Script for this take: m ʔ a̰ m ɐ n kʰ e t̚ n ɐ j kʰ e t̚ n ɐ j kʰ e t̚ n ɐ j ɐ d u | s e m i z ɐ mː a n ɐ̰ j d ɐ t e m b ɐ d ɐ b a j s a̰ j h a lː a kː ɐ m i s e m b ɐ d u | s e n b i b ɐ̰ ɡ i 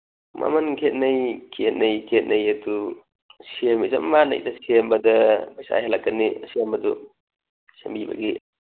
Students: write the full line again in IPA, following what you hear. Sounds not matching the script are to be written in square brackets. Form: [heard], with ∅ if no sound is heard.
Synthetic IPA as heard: m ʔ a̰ m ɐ n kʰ e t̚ n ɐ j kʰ e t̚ n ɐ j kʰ e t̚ n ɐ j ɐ d u | s e m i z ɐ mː a n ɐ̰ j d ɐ [s] e m b ɐ d ɐ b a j s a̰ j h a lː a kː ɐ [n] i s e m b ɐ d u | s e [m] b i b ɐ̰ ɡ i